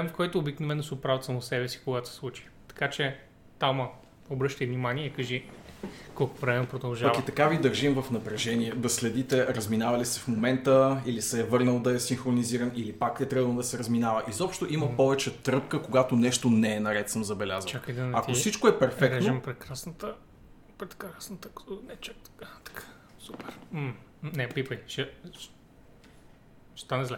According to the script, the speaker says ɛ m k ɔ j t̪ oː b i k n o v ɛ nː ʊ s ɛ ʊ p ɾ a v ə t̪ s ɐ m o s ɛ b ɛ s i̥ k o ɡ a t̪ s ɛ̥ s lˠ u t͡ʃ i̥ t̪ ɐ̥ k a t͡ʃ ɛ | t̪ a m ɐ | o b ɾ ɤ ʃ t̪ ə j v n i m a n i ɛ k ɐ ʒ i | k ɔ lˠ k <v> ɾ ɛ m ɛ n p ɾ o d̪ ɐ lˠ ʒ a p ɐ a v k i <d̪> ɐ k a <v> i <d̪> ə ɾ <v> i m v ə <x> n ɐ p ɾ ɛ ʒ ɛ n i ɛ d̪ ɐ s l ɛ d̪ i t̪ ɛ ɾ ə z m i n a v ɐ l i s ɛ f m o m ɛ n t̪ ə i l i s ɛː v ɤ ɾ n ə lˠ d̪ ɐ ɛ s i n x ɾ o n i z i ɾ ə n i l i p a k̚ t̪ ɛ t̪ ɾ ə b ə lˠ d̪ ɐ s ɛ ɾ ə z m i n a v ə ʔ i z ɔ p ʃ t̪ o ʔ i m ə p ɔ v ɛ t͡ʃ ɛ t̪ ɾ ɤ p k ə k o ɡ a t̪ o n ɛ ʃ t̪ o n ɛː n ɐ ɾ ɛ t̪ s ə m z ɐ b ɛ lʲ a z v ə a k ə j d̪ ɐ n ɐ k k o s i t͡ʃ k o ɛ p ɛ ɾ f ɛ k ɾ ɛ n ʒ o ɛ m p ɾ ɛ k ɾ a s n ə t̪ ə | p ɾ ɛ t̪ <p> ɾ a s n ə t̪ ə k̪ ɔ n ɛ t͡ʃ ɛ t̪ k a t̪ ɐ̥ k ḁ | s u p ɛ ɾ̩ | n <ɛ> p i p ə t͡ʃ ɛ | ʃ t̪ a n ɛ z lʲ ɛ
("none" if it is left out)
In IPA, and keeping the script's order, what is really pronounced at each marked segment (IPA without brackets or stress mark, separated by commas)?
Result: v, t̪, v, d̪, ʒ, f, k, ɛ